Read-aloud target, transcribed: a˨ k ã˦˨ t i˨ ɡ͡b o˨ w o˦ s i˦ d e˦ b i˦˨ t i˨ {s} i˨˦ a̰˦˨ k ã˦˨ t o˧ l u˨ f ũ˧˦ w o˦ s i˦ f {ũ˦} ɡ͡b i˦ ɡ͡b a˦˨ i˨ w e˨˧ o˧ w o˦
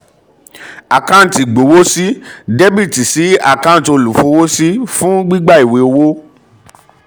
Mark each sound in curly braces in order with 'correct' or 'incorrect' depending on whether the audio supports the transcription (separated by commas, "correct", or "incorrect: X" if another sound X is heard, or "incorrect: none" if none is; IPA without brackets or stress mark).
correct, correct